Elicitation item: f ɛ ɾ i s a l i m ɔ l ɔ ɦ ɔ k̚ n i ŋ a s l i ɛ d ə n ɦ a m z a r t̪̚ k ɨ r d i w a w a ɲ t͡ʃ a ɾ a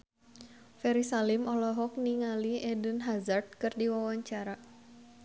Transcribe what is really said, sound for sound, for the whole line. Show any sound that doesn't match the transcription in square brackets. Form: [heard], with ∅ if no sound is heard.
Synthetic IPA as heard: f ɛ ɾ i s a l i m ɔ l ɔ ɦ ɔ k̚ n i ŋ a [∅] l i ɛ d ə n ɦ a [∅] z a r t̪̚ k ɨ r d i w a w a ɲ t͡ʃ a ɾ a